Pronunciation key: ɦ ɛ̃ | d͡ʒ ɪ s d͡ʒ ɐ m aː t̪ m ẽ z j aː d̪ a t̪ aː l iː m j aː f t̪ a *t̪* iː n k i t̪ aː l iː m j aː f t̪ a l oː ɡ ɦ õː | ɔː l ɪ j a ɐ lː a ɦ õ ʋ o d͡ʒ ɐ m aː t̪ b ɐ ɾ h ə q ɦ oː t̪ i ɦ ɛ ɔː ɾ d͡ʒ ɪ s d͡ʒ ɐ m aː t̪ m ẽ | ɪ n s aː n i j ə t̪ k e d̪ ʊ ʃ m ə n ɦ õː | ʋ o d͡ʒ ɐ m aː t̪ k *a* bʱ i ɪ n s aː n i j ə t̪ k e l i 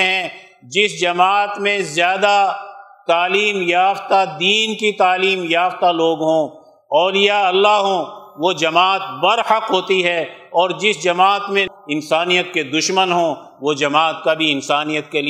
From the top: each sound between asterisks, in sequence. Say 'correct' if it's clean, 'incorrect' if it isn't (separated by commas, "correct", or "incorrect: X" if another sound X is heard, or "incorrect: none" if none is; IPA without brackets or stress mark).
incorrect: d̪, correct